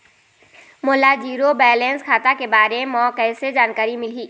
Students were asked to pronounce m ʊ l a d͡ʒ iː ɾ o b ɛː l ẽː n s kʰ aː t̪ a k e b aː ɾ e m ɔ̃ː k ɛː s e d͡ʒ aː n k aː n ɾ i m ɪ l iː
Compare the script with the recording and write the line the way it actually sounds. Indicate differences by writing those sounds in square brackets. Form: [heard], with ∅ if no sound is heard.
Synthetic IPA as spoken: m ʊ l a d͡ʒ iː ɾ o b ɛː l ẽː n s kʰ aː t̪ a k e b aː ɾ e m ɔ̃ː k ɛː s e d͡ʒ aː n k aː [∅] ɾ i m ɪ l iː